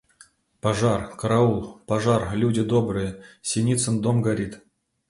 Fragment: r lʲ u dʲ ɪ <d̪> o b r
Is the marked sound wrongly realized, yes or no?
no